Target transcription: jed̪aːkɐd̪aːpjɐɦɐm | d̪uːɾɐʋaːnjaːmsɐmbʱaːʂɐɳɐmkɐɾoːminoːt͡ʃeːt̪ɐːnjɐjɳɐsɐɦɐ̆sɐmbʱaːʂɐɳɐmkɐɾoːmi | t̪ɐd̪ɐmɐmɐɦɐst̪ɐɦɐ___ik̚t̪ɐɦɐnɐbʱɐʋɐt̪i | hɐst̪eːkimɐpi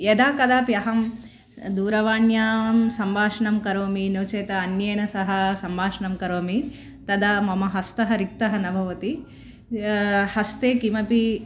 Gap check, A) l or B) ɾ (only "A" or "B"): B